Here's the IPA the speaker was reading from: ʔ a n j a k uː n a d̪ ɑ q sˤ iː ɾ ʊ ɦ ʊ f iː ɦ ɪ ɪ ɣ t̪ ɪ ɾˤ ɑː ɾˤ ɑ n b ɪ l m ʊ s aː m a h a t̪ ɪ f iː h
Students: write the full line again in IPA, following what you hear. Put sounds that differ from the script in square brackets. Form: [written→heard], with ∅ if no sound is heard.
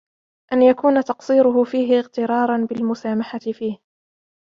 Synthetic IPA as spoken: ʔ a n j a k uː n a [d̪→t̪] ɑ q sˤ iː ɾ ʊ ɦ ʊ f iː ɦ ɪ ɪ ɣ t̪ ɪ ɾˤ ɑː ɾˤ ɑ n b ɪ l m ʊ s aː m a [h→ħ] a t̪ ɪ f iː h